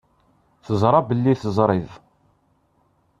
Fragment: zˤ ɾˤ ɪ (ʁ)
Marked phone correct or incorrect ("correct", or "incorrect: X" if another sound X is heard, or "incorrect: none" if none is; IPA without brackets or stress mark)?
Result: incorrect: ð